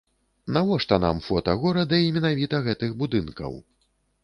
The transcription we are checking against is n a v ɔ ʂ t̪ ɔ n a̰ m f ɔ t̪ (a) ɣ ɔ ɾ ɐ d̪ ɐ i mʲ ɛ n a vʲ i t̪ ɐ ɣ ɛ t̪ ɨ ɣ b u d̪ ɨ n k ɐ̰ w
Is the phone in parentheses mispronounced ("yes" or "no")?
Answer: yes